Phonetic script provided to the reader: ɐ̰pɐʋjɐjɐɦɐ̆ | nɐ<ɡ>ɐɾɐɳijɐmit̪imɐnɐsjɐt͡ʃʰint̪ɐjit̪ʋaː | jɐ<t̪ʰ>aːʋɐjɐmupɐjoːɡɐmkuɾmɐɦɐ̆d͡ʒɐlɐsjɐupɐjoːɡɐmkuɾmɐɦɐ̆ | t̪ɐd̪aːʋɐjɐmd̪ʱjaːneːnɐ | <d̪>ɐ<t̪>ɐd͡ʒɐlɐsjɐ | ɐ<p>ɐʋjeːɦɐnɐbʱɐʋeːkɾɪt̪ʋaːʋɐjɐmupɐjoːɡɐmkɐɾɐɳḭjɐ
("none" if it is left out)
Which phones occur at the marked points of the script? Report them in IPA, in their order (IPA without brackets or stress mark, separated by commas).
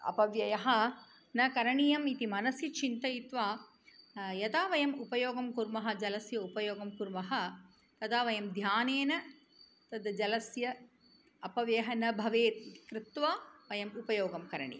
k, t̪, t̪, d̪, p